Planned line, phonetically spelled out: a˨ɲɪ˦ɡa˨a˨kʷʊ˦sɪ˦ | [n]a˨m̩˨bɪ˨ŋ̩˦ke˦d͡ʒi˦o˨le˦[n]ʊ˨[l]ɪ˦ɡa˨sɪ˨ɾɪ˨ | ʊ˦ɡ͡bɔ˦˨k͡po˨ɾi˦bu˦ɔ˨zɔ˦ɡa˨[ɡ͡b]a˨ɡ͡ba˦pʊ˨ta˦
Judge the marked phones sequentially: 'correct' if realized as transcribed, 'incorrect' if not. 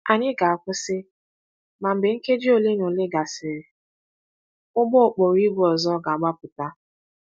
incorrect, correct, correct, incorrect

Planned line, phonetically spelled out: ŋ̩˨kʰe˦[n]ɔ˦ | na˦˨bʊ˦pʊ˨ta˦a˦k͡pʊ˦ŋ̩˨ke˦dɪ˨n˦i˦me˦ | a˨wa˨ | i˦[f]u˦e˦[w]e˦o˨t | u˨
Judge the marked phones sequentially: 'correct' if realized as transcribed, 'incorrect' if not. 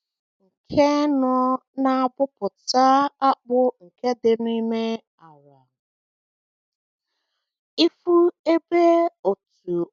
correct, correct, incorrect

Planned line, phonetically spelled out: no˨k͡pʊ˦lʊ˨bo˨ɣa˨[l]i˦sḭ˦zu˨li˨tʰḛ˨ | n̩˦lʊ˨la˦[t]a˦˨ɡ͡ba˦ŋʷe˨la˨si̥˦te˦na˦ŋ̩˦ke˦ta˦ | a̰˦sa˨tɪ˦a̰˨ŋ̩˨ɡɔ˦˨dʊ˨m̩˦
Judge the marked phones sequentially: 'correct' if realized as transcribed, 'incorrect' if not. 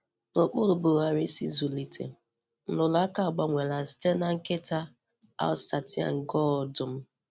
incorrect, incorrect

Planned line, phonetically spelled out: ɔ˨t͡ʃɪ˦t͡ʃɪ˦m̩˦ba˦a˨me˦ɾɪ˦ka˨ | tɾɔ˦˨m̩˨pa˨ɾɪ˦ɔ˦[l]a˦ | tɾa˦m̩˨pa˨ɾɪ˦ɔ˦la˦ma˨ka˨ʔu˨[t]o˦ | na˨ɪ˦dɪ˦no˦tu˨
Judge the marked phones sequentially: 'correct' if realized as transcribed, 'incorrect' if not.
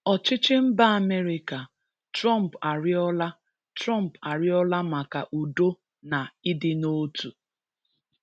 correct, incorrect

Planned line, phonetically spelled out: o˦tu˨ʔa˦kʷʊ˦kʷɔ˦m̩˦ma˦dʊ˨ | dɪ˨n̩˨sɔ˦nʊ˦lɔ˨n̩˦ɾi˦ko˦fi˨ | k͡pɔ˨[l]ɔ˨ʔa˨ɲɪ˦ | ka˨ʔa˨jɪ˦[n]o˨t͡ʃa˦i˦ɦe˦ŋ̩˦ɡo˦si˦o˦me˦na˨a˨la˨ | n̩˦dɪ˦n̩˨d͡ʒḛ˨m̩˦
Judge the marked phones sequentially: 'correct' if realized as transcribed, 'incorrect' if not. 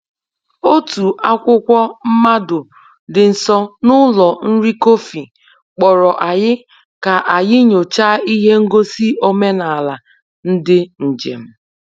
incorrect, incorrect

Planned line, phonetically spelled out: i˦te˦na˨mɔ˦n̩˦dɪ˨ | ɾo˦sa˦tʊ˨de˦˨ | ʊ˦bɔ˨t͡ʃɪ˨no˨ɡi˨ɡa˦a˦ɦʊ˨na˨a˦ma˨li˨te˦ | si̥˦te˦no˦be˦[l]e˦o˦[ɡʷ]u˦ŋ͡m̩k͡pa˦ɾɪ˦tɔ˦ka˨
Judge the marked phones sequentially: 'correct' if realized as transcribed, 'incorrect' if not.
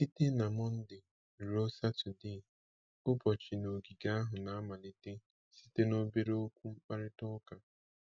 incorrect, incorrect

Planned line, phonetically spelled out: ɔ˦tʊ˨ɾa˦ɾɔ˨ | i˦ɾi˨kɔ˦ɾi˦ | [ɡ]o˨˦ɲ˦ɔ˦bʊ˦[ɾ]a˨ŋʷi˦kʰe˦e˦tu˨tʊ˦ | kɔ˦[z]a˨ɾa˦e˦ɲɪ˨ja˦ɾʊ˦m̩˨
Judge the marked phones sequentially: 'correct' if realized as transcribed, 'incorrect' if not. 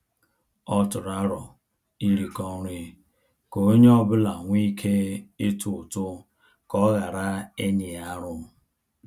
incorrect, incorrect, incorrect

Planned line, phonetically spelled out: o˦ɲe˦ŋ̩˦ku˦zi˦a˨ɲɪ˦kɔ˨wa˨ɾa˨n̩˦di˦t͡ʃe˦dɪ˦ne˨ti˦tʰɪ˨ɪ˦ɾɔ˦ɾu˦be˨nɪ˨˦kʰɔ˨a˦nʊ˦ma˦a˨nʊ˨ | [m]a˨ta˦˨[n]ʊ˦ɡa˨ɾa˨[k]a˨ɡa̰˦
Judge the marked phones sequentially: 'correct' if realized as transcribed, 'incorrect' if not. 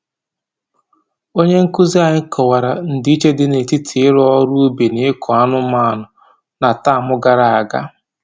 incorrect, incorrect, incorrect

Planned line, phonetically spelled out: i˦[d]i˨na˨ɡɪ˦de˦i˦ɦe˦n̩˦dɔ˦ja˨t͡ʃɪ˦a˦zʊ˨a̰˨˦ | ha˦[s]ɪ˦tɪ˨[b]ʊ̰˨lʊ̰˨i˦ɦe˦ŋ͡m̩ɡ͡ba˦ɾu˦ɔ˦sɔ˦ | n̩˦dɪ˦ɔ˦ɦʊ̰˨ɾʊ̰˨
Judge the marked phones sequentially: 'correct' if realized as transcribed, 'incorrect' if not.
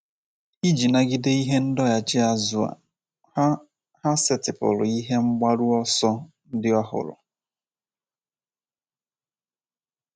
incorrect, correct, incorrect

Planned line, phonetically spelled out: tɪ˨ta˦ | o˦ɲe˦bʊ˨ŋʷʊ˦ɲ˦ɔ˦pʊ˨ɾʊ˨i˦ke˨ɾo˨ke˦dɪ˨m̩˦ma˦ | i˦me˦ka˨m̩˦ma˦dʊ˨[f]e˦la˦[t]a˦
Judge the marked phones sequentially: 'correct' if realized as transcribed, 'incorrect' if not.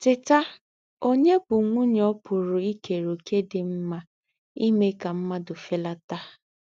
correct, correct

